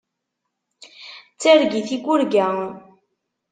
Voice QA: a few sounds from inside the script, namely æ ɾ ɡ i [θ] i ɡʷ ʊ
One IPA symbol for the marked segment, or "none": θ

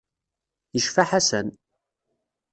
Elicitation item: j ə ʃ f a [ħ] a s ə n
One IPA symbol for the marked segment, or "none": ħ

